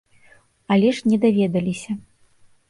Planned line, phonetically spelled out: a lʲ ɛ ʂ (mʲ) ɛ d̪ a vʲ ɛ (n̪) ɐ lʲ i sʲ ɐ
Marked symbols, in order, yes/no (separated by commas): no, no